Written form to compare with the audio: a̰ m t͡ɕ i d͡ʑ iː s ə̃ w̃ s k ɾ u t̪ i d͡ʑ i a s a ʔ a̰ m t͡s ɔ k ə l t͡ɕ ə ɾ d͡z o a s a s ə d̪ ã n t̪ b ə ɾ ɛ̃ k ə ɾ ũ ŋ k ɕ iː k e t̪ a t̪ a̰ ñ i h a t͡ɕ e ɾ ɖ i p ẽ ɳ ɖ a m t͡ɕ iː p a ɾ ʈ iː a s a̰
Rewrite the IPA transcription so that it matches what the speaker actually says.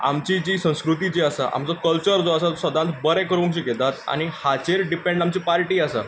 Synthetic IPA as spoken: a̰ m t͡ɕ i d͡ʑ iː s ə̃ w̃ s k ɾ u t̪ i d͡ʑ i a s a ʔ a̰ m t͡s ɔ k ə l t͡ɕ ə ɾ d͡z o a s a s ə d̪ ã n t̪ b ə ɾ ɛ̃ k ə ɾ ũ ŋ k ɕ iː k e t̪ a t̪ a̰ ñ i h a t͡ɕ e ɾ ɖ i p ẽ ɳ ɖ a m t͡ɕ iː p a ɾ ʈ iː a s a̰